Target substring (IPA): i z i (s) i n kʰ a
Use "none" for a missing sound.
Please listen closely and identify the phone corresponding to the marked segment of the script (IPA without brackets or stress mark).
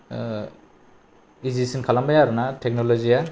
s